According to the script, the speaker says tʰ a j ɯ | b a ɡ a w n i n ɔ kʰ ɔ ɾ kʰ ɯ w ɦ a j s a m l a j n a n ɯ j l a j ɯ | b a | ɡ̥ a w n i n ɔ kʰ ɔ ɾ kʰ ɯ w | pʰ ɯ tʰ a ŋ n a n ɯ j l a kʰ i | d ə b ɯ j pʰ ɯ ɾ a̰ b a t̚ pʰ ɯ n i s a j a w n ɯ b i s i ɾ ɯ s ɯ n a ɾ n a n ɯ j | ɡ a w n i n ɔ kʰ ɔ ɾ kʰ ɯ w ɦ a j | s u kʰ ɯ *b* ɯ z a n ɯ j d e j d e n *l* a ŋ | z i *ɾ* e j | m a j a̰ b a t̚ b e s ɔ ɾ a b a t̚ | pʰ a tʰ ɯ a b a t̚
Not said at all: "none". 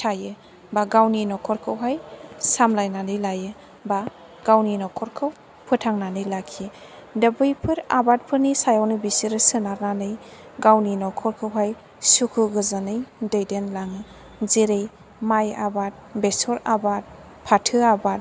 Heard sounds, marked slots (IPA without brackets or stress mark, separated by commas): ɡ, l, ɾ